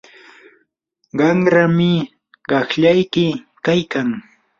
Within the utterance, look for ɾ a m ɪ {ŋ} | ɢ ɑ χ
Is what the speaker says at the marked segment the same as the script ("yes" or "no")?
no